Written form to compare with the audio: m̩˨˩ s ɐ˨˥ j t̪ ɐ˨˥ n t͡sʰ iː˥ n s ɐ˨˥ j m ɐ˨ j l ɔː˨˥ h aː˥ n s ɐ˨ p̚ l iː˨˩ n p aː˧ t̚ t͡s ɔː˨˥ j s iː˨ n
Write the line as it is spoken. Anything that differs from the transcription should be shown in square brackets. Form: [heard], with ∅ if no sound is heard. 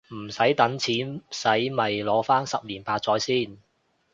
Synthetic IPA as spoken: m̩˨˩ s ɐ˨˥ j t̪ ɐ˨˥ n t͡sʰ [iː˨˥] n s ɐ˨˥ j m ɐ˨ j l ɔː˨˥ [f] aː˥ n s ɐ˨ p̚ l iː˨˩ n p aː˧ t̚ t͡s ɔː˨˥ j s [iː˥] n